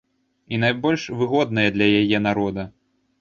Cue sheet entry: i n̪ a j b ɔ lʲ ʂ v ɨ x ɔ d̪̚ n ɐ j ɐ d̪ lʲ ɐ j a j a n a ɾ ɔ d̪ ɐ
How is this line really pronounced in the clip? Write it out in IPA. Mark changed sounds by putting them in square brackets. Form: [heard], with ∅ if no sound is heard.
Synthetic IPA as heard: i n̪ a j b ɔ lʲ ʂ v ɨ [ɣ] ɔ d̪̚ n ɐ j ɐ d̪ lʲ ɐ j a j [ɛ] n a ɾ ɔ d̪ ɐ

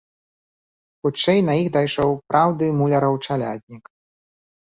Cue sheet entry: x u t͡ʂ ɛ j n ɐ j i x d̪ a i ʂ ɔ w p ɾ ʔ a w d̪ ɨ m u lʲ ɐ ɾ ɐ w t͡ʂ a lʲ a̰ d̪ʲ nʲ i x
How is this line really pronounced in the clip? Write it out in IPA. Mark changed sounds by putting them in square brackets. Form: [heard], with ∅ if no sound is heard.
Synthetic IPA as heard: x u t͡ʂ ɛ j n ɐ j i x d̪ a [j] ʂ ɔ w p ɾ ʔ a w d̪ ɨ m u lʲ ɐ ɾ ɐ w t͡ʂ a lʲ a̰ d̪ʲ nʲ i [k]

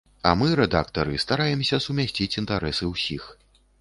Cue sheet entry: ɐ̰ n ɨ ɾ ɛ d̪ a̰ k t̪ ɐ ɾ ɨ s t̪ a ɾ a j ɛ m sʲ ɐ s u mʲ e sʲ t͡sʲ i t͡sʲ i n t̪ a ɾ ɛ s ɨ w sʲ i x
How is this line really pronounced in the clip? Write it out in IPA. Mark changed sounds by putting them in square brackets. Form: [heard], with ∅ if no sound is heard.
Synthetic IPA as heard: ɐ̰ [m] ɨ ɾ ɛ d̪ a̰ k t̪ ɐ ɾ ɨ s t̪ a ɾ a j ɛ m sʲ ɐ s u mʲ [a] sʲ t͡sʲ i t͡sʲ i n t̪ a ɾ ɛ s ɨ w sʲ i x

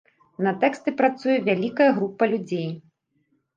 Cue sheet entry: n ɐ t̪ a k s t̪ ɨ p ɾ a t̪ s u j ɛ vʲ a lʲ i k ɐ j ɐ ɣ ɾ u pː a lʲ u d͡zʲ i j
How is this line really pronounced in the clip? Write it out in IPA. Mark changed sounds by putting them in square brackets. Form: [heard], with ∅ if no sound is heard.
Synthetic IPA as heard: n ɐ t̪ [ɛ] k s t̪ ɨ p ɾ a t̪ s u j ɛ vʲ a lʲ i k ɐ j ɐ ɣ ɾ u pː [ɐ] lʲ u d͡zʲ [e] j

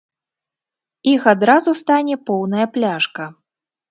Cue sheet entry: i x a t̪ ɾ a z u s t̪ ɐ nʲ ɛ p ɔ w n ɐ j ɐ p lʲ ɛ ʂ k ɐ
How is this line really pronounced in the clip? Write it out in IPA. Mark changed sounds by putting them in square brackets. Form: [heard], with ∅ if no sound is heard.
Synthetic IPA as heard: i x a [d̪] ɾ a z u s t̪ [a] nʲ ɛ p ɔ w n ɐ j ɐ p lʲ [a] ʂ k ɐ

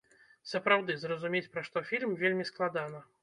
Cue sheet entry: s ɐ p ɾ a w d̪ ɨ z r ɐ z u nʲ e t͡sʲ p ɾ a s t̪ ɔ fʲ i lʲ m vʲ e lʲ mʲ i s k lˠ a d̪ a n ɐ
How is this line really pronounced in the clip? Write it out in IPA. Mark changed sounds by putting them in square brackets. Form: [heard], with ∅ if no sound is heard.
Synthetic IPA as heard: s ɐ p ɾ a w d̪ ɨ z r ɐ z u [mʲ] e t͡sʲ p ɾ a [ʂ] t̪ ɔ fʲ i lʲ m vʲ e lʲ mʲ i s k lˠ a d̪ a n ɐ

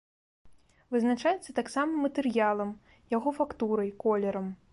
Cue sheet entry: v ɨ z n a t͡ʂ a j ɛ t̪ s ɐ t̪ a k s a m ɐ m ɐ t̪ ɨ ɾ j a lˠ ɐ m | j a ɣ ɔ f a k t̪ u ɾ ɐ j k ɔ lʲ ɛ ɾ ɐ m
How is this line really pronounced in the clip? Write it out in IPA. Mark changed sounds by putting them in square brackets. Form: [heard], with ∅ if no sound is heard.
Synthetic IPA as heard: v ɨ z n a t͡ʂ a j ɛ t̪ s ɐ t̪ a k s a m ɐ m ɐ t̪ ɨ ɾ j a lˠ ɐ m | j a ɣ ɔ f a k t̪ u ɾ ɐ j k ɔ lʲ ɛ ɾ ɐ m

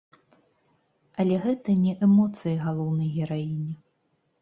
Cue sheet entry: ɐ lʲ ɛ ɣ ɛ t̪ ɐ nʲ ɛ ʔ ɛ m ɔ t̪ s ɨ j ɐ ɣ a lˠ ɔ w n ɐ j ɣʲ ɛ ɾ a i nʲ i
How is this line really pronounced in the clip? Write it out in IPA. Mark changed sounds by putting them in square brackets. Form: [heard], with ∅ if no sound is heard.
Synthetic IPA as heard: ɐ lʲ ɛ ɣ ɛ t̪ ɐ nʲ ɛ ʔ ɛ m ɔ t̪ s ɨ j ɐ ɣ a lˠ ɔ w n ɐ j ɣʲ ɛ ɾ a i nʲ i

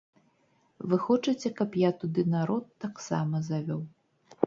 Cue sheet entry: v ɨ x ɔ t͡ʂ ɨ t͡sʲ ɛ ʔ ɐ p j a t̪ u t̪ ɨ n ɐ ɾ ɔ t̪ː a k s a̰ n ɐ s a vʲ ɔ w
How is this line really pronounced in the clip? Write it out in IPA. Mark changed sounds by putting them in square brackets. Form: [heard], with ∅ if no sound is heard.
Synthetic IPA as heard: v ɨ x ɔ t͡ʂ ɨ t͡sʲ ɛ [k] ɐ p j a t̪ u [d̪] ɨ n [a] ɾ ɔ t̪ː a k s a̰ [m] ɐ [z] a vʲ ɔ w

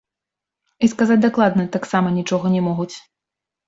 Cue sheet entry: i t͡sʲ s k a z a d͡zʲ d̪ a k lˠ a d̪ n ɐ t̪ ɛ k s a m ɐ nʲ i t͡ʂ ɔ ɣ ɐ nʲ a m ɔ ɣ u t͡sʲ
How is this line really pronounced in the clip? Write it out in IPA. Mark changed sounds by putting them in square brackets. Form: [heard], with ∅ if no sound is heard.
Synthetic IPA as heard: i [∅] s k a z a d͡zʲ d̪ a k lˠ a d̪ n ɐ t̪ [a] k s a m ɐ nʲ i t͡ʂ ɔ ɣ ɐ nʲ [ɛ] m ɔ ɣ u t͡sʲ

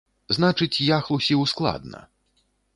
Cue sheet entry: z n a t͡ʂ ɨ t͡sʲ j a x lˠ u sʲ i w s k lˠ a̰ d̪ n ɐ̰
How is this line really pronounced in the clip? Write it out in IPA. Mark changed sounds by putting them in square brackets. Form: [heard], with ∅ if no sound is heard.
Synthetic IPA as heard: z n a t͡ʂ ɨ t͡sʲ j a x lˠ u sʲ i w s k lˠ a̰ d̪ n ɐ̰

